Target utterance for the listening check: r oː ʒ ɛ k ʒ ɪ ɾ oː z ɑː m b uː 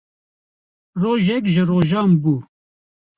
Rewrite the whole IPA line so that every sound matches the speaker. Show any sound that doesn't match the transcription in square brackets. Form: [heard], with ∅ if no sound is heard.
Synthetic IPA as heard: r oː ʒ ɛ k ʒ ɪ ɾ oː [ʒ] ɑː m b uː